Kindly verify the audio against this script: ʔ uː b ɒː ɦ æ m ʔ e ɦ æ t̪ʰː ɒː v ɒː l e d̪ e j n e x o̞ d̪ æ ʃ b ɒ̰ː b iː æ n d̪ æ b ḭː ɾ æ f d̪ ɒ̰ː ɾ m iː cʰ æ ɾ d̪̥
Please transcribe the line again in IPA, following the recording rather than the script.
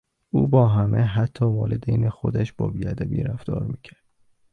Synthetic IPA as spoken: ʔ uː b ɒː ɦ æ m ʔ e ɦ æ t̪ʰː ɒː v ɒː l e d̪ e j n e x o̞ d̪ æ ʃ b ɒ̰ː b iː æ d̪ æ b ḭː ɾ æ f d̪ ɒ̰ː ɾ m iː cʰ æ ɾ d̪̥

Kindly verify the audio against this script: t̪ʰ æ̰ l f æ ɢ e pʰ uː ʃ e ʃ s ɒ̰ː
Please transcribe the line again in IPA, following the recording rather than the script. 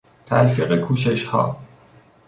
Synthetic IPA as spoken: t̪ʰ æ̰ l f i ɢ e kʰ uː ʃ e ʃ h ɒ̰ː

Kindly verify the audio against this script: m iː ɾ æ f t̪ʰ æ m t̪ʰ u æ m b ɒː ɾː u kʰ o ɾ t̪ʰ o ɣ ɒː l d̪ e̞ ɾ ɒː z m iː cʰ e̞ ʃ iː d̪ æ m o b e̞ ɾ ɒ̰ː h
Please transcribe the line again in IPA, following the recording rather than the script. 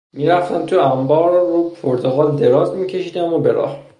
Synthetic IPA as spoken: m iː ɾ æ f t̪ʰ æ m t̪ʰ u æ m b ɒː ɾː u pʰ o ɾ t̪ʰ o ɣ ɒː l d̪ e̞ ɾ ɒː z m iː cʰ e̞ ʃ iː d̪ æ m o b e̞ ɾ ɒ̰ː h

